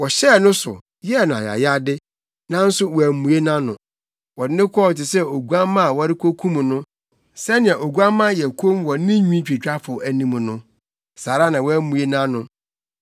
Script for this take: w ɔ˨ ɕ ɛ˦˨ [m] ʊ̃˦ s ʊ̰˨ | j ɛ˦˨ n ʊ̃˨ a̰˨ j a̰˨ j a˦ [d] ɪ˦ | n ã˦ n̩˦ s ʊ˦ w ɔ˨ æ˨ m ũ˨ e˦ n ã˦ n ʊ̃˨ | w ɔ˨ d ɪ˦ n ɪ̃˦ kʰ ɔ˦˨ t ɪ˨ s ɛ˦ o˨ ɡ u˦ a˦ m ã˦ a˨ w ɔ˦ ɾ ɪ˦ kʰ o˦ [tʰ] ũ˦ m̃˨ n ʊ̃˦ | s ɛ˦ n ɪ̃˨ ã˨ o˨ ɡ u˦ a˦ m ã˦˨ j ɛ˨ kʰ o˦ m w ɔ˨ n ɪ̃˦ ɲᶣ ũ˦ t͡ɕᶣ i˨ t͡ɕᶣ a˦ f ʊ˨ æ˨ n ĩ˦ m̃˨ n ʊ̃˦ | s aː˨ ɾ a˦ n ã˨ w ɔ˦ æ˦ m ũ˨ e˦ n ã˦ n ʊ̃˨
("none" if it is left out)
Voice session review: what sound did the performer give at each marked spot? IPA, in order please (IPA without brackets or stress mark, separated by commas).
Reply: n, d, kʰ